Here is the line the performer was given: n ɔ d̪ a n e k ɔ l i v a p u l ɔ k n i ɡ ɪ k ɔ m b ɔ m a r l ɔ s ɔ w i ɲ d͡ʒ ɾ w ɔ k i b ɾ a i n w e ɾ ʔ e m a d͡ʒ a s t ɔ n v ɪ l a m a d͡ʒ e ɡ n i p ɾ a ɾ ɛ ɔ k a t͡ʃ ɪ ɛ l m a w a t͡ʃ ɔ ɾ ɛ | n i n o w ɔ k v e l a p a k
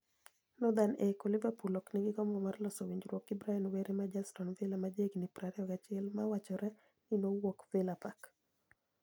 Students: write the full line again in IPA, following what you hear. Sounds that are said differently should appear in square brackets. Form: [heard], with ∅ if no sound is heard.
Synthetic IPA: n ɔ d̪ a n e k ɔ l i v a p u l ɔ k n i ɡ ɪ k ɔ m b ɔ m a r l ɔ s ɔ w i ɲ d͡ʒ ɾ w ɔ k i b ɾ a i n w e ɾ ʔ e m a d͡ʒ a s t ɔ n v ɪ l a m a d͡ʒ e ɡ n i p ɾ a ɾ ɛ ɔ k a t͡ʃ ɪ ɛ l m a w a t͡ʃ ɔ ɾ ɛ | n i n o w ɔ k v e l a p a k